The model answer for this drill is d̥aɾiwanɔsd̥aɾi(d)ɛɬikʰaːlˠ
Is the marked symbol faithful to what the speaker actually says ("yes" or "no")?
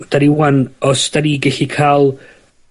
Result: no